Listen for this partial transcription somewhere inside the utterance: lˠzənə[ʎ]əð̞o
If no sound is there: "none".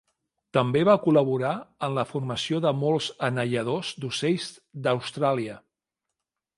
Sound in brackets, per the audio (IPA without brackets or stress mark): ʎ